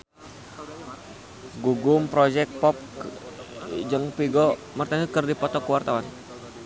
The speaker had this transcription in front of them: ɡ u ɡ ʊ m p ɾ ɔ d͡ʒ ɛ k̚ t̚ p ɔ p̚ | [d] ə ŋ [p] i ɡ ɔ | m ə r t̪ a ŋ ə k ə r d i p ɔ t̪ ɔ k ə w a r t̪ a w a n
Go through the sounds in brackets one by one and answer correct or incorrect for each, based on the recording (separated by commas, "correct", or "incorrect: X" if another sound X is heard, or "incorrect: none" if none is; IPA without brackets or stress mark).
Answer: incorrect: d͡ʒ, correct